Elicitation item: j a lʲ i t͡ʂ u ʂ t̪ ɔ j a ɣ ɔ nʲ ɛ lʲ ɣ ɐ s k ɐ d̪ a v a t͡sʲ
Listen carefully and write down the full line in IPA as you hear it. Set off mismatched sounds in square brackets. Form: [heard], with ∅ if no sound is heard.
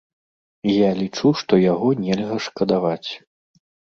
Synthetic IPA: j a lʲ i t͡ʂ u ʂ t̪ ɔ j a ɣ ɔ nʲ ɛ lʲ ɣ ɐ [ʂ] k ɐ d̪ a v a t͡sʲ